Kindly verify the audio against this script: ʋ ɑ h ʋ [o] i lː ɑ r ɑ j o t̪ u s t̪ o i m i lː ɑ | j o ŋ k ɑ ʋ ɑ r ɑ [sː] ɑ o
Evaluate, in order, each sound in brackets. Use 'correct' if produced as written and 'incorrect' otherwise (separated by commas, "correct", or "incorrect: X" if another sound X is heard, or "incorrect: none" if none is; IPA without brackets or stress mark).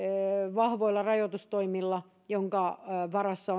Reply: correct, correct